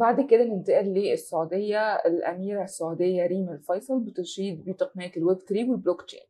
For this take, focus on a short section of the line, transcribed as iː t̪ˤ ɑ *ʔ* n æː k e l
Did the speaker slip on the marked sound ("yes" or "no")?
yes